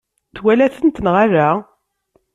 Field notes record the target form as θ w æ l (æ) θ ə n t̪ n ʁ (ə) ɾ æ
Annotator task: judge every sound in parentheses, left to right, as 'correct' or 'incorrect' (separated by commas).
correct, incorrect